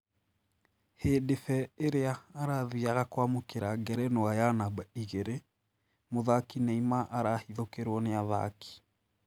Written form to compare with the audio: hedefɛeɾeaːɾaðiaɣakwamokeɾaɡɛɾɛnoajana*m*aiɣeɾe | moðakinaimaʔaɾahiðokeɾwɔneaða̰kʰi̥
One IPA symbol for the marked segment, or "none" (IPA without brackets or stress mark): b